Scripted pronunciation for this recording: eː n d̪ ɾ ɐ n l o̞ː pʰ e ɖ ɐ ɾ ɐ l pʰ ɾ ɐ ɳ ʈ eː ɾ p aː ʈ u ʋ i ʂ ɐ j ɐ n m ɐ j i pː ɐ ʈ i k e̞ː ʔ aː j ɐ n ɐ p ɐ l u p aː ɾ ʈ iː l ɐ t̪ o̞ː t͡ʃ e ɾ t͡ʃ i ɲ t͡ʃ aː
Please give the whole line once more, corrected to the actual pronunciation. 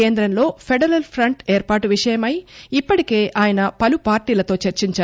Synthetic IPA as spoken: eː n d̪ ɾ ɐ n l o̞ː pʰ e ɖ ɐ ɾ ɐ l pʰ ɾ ɐ ɳ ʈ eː ɾ p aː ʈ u ʋ i ʂ ɐ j ɐ m ɐ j i pː ɐ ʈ i k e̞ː ʔ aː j ɐ n ɐ p ɐ l u p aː ɾ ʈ iː l ɐ t̪ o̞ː t͡ʃ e ɾ t͡ʃ i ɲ t͡ʃ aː